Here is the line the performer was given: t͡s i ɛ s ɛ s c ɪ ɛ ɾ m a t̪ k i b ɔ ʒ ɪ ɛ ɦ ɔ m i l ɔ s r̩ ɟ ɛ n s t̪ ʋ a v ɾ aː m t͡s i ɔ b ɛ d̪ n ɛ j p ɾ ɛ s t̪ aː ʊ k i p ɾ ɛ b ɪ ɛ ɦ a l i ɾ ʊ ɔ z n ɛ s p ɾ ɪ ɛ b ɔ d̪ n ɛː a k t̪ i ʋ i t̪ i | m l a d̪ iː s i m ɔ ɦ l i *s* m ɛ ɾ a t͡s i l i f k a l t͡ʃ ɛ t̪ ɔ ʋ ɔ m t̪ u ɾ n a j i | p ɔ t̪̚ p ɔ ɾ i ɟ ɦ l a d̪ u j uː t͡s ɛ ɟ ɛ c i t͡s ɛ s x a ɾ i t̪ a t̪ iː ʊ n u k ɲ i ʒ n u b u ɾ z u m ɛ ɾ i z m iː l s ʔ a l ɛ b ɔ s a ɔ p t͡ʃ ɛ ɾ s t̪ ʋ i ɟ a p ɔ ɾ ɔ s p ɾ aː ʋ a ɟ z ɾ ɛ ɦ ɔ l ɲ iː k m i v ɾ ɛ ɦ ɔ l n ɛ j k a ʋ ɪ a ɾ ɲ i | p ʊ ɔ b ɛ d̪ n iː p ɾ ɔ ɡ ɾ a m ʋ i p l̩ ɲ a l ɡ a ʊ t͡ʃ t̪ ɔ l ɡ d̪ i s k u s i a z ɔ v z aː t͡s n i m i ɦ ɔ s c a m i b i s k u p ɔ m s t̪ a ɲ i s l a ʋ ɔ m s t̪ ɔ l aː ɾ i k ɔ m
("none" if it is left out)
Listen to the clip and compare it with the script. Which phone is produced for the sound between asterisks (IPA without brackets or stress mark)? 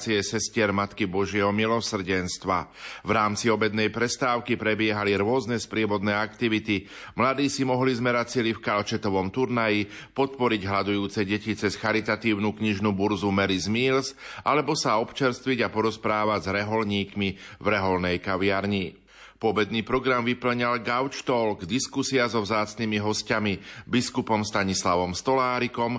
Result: z